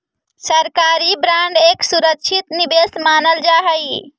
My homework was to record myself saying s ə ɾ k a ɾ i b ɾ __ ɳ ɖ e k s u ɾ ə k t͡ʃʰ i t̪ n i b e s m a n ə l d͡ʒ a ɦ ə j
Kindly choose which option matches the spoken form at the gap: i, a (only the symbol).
a